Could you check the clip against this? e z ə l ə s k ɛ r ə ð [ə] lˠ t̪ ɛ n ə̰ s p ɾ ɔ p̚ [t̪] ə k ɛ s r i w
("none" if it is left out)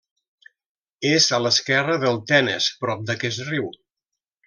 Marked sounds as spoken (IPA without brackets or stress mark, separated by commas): ə, d̪